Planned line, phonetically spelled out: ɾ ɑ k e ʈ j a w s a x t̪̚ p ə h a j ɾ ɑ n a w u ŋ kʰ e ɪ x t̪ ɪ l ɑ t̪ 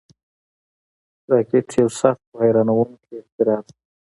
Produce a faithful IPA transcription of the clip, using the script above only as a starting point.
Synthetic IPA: ɾ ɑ k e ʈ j a w s a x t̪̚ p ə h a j ɾ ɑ n a w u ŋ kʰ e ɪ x t̪ ɪ ɾ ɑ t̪